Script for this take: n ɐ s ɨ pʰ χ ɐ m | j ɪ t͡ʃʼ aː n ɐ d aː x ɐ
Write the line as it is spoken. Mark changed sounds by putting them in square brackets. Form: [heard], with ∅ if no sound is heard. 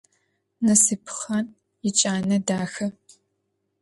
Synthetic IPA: n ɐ s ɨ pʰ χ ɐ [n] | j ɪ t͡ʃʼ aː n ɐ d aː x ɐ